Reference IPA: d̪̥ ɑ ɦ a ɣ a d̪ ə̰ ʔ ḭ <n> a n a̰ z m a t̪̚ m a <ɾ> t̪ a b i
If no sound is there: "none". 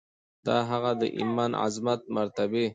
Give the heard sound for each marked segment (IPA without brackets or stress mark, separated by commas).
m, ɾ